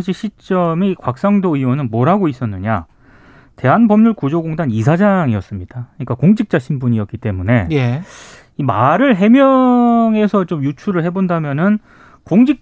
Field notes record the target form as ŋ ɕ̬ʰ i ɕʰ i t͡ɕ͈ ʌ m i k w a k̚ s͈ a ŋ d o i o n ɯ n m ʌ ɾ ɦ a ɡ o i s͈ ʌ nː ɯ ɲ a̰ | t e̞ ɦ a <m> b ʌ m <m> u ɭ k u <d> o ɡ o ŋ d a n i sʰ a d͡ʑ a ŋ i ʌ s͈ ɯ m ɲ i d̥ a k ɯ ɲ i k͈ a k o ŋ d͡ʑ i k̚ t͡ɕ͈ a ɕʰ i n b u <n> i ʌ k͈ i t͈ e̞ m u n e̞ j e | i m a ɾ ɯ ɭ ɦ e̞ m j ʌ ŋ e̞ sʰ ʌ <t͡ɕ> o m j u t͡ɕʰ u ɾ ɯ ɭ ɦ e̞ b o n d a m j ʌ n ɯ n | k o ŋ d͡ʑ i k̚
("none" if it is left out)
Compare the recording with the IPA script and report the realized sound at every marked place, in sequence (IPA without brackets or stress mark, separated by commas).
n, ɲ, d͡ʑ, ɲ, t͡ɕ